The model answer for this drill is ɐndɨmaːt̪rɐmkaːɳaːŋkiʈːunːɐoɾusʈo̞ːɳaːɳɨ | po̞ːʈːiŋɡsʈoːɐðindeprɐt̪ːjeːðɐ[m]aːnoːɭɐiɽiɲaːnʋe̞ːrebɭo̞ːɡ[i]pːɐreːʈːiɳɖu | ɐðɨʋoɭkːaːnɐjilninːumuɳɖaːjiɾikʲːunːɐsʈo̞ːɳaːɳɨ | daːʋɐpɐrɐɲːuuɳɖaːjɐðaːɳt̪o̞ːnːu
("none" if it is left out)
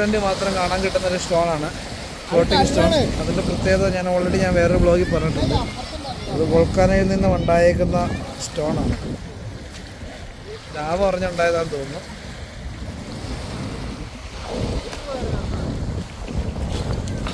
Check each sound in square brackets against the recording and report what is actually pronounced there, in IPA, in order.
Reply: ɲ, i

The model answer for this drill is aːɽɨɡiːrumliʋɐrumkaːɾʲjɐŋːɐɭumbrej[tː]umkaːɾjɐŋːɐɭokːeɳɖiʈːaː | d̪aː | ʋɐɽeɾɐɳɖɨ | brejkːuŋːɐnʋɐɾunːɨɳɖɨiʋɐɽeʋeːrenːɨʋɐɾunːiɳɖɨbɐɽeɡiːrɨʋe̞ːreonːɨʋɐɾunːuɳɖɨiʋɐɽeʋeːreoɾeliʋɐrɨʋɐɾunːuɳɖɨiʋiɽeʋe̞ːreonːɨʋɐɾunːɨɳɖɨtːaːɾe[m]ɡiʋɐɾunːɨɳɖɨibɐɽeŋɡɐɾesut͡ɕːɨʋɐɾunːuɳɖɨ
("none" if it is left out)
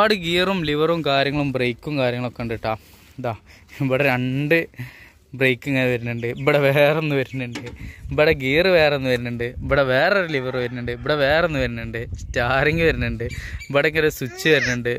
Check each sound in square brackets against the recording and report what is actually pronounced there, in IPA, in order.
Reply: kː, ŋ

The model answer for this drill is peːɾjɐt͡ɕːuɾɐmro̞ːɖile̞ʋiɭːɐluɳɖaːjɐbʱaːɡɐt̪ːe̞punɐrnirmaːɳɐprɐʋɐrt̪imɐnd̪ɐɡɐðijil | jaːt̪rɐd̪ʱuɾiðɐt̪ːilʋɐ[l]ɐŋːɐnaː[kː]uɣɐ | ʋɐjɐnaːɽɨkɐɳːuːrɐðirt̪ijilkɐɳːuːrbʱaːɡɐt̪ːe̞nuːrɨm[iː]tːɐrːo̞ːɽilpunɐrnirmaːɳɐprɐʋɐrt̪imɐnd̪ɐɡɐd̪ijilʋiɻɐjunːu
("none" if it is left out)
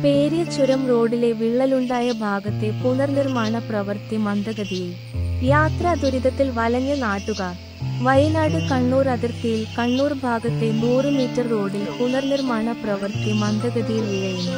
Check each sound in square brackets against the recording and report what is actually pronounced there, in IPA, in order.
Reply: l, ʈː, iː

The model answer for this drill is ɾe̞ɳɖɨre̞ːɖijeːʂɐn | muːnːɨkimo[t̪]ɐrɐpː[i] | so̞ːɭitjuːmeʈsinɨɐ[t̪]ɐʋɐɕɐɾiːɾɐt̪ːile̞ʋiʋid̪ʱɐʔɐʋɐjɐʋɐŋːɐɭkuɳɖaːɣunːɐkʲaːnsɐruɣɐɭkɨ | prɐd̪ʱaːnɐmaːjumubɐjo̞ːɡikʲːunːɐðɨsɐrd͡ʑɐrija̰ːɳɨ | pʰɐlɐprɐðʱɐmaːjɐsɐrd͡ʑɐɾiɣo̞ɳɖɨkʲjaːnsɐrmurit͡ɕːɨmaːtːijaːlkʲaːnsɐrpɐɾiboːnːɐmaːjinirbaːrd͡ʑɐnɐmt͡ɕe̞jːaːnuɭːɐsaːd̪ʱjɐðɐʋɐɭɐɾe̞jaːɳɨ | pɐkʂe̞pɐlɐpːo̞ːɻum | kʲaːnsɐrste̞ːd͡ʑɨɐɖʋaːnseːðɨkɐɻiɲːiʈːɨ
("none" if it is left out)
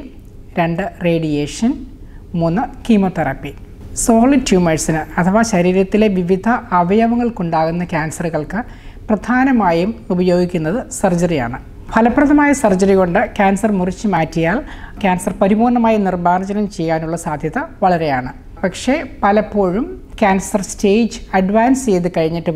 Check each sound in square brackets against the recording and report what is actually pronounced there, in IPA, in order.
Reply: t̪, i, t̪ʰ

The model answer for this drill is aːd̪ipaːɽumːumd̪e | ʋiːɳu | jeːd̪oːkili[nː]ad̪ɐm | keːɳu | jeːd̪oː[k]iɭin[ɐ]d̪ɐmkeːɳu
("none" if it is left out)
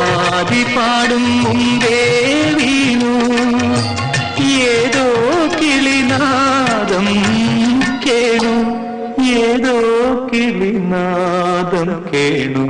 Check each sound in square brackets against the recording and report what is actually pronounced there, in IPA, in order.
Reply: n, k, a

